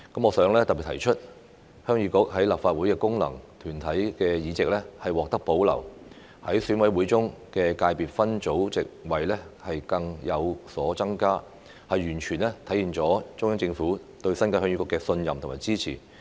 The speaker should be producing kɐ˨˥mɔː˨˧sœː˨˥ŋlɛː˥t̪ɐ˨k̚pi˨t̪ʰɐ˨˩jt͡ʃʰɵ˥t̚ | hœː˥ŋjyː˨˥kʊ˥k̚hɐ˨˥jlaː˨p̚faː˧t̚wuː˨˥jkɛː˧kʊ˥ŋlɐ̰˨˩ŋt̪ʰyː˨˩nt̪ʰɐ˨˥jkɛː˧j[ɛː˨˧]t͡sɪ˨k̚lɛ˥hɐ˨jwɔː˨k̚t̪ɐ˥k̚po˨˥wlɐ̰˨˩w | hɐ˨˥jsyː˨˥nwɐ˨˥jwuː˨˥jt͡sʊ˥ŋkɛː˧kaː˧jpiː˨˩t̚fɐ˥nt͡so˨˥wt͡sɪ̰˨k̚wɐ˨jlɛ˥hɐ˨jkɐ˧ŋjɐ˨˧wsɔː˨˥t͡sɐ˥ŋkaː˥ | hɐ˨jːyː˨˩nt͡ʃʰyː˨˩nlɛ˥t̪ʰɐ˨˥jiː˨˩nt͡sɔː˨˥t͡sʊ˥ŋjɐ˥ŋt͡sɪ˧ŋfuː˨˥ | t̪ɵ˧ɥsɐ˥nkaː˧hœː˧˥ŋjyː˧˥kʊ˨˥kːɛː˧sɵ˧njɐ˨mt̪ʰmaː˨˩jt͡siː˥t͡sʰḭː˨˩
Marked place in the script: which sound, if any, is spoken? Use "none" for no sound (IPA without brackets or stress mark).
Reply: iː˨˧